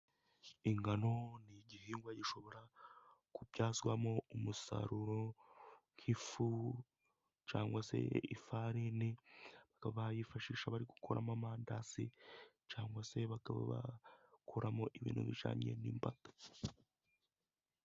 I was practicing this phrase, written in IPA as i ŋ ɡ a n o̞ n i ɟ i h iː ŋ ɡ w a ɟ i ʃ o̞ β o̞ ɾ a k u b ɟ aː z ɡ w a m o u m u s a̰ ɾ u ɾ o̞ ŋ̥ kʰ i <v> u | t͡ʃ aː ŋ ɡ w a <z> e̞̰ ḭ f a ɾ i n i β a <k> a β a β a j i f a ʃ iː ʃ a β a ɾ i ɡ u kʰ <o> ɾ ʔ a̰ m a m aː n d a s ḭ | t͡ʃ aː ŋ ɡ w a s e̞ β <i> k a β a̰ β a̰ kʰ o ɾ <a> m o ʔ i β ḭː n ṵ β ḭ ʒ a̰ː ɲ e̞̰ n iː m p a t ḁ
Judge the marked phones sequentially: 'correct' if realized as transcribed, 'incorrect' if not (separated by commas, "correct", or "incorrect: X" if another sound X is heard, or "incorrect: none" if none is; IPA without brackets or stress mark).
incorrect: f, incorrect: s, correct, correct, incorrect: a, correct